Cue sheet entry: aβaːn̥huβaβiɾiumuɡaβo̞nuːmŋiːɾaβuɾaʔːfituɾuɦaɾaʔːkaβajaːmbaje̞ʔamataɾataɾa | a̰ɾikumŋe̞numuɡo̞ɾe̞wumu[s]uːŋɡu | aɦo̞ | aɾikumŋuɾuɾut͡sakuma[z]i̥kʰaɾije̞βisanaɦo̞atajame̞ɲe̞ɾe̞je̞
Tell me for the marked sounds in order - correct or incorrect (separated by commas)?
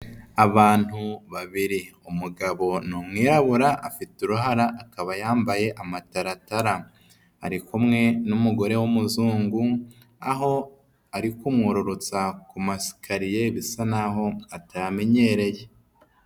incorrect, incorrect